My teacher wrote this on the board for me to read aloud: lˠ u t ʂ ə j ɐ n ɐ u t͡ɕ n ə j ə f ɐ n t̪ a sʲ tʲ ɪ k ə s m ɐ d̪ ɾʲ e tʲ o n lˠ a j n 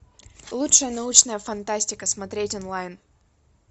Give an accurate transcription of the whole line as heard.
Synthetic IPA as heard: lˠ u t ʂ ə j ə n ɐ u t͡ɕ n ə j ə f ɐ n t̪ a sʲ tʲ ɪ k ə s m ɐ t̪ ɾʲ e tʲ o n lˠ a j n